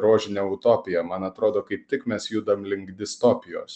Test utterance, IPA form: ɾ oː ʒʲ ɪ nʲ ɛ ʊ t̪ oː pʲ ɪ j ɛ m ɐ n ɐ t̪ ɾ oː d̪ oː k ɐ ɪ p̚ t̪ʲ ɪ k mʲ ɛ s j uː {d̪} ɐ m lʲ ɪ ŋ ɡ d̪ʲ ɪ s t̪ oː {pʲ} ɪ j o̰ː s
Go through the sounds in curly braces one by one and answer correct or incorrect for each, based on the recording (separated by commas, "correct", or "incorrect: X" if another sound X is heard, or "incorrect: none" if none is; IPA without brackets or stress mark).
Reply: correct, correct